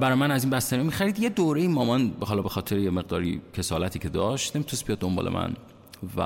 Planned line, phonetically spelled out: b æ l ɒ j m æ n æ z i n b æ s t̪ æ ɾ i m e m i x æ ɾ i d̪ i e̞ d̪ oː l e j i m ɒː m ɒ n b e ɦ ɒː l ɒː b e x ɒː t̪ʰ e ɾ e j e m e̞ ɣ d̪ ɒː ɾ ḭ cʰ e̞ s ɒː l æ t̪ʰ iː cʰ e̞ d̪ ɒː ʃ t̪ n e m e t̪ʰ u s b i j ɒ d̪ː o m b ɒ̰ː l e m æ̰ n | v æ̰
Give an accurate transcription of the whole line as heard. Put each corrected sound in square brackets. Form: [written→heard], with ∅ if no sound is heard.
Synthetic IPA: b æ [l→ɾ] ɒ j m æ n æ z i n b æ s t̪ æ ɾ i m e m i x æ ɾ i d̪ [i→j] e̞ d̪ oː [l→ɾ] e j i m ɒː m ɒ n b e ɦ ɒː l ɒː b e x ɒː t̪ʰ e ɾ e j e m e̞ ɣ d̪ ɒː ɾ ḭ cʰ e̞ s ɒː l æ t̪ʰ iː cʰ e̞ d̪ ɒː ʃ t̪ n e m [e→i] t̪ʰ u s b i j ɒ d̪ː o m b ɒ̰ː l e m æ̰ n | v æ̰